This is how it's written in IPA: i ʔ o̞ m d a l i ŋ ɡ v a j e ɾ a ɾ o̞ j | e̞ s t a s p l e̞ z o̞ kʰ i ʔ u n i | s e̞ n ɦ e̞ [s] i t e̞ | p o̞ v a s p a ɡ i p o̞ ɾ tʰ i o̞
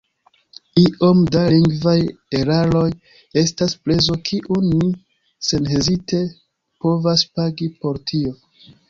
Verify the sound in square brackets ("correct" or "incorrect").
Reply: incorrect